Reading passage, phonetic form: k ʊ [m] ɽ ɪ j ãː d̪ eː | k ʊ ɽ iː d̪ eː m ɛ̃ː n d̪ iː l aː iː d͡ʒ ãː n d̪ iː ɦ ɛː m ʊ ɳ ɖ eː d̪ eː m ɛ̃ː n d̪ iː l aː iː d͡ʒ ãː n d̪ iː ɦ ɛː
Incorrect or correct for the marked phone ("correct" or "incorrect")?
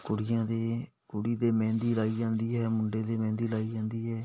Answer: incorrect